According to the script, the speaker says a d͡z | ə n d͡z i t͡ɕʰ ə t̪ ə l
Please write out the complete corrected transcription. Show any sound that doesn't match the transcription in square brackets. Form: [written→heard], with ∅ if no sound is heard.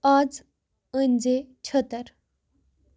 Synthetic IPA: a d͡z | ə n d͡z [i→e] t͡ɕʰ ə t̪ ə [l→ɾ]